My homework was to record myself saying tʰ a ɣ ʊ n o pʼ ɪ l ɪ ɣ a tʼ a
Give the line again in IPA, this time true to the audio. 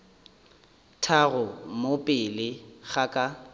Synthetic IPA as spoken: tʰ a ɣ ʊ m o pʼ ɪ l ɪ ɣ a kʼ a